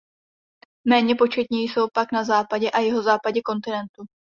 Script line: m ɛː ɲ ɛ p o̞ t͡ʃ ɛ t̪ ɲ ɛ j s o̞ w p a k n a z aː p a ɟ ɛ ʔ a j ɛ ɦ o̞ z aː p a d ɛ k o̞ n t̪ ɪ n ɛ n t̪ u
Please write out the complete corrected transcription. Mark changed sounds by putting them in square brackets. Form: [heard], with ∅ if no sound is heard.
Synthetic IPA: m ɛː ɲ ɛ p o̞ t͡ʃ ɛ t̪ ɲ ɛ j s o̞ w p a k n a z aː p a ɟ ɛ ʔ a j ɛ ɦ o̞ z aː p a [ɟ] ɛ k o̞ n t̪ ɪ n ɛ n t̪ u

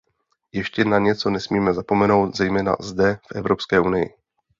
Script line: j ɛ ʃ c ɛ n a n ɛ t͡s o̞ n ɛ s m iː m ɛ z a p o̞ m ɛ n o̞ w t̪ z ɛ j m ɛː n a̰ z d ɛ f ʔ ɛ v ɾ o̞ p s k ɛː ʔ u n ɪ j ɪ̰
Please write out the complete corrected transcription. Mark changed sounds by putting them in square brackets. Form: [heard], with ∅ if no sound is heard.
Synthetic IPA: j ɛ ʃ c ɛ n a [ɲ] ɛ t͡s o̞ n ɛ s m iː m ɛ z a p o̞ m ɛ n o̞ w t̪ z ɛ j m ɛː n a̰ z d ɛ f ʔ ɛ v ɾ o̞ p s k ɛː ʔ u n ɪ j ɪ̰

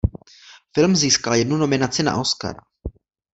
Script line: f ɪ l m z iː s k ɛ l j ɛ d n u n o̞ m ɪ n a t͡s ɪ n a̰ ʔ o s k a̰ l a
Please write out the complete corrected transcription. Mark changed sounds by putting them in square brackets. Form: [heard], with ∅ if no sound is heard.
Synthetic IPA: f ɪ l m z iː s k [a] l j ɛ d n u n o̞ m ɪ n a t͡s ɪ n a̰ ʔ o s k a̰ [ɾ] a

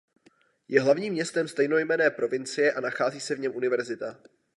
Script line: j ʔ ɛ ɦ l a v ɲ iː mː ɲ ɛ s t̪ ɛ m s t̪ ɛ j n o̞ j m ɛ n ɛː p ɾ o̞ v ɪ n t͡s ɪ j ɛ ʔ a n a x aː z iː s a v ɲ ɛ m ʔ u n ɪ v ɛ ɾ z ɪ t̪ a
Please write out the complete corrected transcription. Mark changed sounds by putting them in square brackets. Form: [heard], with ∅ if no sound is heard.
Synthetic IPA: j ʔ ɛ ɦ l a v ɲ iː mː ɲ ɛ s t̪ ɛ m s t̪ ɛ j n o̞ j m ɛ n ɛː p ɾ o̞ v ɪ n t͡s ɪ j ɛ ʔ a n a x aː z iː s [ɛ] v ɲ ɛ m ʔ u n ɪ v ɛ ɾ z ɪ t̪ a

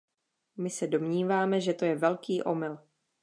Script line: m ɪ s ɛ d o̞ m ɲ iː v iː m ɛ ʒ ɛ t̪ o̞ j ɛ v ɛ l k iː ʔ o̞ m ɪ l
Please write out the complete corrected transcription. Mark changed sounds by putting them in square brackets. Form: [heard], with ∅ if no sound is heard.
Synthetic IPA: m ɪ s ɛ d o̞ m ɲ iː v [aː] m ɛ ʒ ɛ t̪ o̞ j ɛ v ɛ l k iː ʔ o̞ m ɪ l

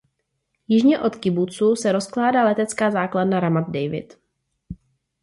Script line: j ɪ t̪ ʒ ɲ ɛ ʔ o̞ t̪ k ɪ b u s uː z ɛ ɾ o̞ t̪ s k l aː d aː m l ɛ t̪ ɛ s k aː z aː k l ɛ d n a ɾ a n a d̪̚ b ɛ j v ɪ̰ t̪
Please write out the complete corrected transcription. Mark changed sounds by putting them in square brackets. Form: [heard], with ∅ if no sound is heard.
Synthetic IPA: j ɪ [∅] ʒ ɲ ɛ ʔ o̞ t̪ k ɪ b u [t͡s] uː [s] ɛ ɾ o̞ [∅] s k l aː d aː [∅] l ɛ t̪ ɛ [t͡s] k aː z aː k l [a] d n a ɾ a [m] a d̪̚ [d] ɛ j v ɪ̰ t̪

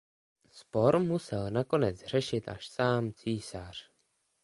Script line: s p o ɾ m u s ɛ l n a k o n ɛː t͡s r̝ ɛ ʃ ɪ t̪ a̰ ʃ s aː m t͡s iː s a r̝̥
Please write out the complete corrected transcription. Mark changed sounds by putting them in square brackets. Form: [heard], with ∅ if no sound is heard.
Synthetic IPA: s p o ɾ m u s ɛ l n a k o n [ɛ] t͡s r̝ ɛ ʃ ɪ t̪ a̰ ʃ s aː m t͡s iː s a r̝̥

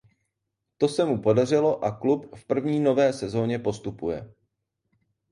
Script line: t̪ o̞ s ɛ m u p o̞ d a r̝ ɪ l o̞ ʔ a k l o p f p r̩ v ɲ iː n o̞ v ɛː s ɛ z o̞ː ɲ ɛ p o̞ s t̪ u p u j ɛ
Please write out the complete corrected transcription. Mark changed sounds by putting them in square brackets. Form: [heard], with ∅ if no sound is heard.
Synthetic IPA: t̪ o̞ s ɛ m u p o̞ d a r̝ ɪ l o̞ ʔ a k l [u] p f p r̩ v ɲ iː n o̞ v ɛː s ɛ z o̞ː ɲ ɛ p o̞ s t̪ u p u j ɛ

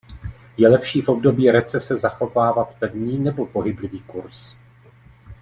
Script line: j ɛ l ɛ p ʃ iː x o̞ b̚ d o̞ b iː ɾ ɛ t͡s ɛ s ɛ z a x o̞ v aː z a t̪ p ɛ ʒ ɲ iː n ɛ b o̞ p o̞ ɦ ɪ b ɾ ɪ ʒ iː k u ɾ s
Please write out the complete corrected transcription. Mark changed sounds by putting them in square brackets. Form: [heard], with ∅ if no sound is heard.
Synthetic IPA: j ɛ l ɛ p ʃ iː [f] o̞ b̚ d o̞ b iː ɾ ɛ t͡s ɛ s ɛ z a x o̞ v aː [v] a t̪ p ɛ [v] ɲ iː n ɛ b o̞ p o̞ ɦ ɪ b [l] ɪ [v] iː k u ɾ s

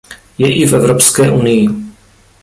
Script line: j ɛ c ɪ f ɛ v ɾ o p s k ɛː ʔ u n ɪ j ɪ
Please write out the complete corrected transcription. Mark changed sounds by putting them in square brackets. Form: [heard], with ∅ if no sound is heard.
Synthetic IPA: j ɛ [ʔ] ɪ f ɛ v ɾ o p s k ɛː ʔ u n ɪ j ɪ

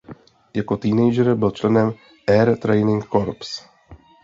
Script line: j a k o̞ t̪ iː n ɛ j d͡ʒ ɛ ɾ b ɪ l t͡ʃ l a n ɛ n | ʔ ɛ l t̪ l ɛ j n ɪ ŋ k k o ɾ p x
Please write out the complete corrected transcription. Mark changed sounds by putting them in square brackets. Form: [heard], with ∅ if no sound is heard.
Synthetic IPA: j a k o̞ t̪ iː n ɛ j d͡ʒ ɛ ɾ b ɪ l t͡ʃ l [ɛ] n ɛ [m] | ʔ ɛ [ɾ] t̪ [ɾ] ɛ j n ɪ ŋ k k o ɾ p [s]

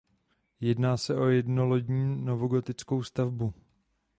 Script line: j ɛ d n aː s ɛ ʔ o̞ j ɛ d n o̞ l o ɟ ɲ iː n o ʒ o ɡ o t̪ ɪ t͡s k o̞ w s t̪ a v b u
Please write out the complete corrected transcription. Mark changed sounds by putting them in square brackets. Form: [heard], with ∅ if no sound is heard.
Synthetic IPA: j ɛ d n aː s ɛ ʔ o̞ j ɛ d n o̞ l o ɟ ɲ iː n o [v] o ɡ o t̪ ɪ t͡s k o̞ w s t̪ a v b u

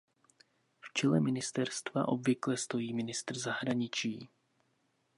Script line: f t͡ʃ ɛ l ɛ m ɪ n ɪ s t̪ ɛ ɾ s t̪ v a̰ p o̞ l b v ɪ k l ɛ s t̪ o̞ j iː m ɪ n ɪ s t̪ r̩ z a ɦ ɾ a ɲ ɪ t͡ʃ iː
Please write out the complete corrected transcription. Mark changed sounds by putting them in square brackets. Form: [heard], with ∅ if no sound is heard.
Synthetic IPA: f t͡ʃ ɛ l ɛ m ɪ n ɪ s t̪ ɛ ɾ s t̪ v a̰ [ʔ] o̞ [∅] b v ɪ k l ɛ s t̪ o̞ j iː m ɪ n ɪ s t̪ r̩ z a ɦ ɾ a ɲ ɪ t͡ʃ iː

